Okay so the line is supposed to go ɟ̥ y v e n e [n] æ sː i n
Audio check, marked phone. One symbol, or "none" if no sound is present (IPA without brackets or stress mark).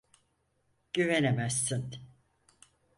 m